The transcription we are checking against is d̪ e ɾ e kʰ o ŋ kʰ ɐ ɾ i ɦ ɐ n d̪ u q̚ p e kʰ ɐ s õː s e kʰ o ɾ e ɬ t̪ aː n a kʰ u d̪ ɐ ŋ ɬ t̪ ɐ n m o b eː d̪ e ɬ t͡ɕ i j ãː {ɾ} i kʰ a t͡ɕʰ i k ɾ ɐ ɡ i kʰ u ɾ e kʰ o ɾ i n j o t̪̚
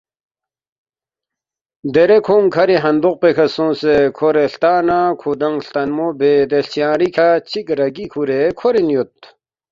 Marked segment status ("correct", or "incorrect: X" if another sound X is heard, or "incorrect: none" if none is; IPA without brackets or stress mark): correct